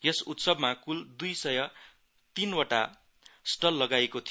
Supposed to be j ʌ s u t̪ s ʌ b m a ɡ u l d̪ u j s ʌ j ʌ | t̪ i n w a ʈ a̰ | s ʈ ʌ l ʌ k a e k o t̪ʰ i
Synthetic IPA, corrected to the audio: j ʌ s u t̪ s ʌ b m a k u l d̪ u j s ʌ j ʌ | t̪ i n w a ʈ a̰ | s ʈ ʌ lː ʌ ɡ a e k o t̪ʰ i